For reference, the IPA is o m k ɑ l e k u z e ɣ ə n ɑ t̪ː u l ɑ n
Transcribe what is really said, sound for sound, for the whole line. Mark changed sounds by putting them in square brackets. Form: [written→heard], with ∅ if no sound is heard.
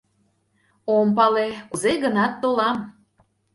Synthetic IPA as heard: o m [k→p] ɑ l e k u z e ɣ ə n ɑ t̪ː [u→o] l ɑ [n→m]